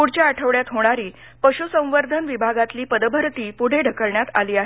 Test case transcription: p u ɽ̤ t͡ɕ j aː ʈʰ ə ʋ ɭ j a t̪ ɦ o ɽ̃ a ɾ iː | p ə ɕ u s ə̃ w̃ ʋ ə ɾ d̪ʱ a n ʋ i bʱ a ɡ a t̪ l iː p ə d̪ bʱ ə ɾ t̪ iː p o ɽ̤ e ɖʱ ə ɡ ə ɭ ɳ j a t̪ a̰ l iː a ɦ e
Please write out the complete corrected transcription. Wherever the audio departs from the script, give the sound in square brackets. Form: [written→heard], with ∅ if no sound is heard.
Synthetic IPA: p u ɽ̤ t͡ɕ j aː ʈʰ ə ʋ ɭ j a t̪ ɦ o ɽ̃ a ɾ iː | p ə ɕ u s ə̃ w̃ ʋ ə ɾ d̪ʱ [a→ə] n ʋ i bʱ a ɡ a t̪ l iː p ə d̪ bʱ ə ɾ t̪ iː p [o→u] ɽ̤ e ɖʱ ə [ɡ→k] ə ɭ ɳ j a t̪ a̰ l iː a ɦ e